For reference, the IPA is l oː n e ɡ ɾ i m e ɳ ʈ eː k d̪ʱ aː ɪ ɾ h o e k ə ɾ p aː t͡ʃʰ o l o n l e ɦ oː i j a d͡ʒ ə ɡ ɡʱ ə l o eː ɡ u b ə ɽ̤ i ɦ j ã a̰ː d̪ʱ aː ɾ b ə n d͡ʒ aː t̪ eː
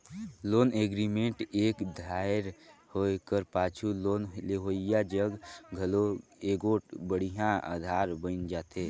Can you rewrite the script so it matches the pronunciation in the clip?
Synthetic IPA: l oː n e ɡ ɾ i m e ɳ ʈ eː k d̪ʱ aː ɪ ɾ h o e k ə ɾ p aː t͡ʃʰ u l o n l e ɦ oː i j a d͡ʒ ə ɡ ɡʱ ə l o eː ɡ o b ə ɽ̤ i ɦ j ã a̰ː d̪ʱ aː ɾ b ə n d͡ʒ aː t̪ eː